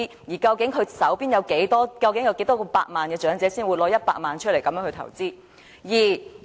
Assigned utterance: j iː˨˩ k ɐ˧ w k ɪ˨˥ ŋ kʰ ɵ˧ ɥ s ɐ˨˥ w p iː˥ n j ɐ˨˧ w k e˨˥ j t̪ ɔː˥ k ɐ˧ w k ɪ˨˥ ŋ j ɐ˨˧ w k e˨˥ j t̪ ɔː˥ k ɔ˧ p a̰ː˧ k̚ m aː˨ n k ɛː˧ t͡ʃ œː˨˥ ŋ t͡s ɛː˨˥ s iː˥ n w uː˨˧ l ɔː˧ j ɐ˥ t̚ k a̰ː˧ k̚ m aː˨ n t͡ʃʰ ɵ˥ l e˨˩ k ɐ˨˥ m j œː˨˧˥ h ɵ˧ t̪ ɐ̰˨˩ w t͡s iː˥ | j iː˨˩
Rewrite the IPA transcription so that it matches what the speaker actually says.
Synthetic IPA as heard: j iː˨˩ k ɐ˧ w k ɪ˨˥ ŋ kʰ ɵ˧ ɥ s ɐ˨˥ w p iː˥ n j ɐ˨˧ w k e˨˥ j t̪ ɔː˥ k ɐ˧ w k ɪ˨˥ ŋ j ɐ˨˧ w k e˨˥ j t̪ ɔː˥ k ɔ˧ p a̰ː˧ k̚ m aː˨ n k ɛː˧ t͡ʃ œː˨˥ ŋ t͡s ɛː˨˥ s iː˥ n w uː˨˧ l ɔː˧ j ɐ˥ t̚ p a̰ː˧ k̚ m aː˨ n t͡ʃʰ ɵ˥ l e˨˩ k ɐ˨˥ m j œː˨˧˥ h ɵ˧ t̪ʰ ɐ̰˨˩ w t͡s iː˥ | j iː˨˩